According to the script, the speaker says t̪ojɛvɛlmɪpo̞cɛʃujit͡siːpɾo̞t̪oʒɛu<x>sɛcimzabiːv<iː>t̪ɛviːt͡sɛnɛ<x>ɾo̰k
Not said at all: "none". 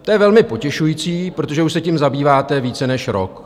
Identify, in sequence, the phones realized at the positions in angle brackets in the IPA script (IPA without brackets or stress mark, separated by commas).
ʃ, aː, ʃ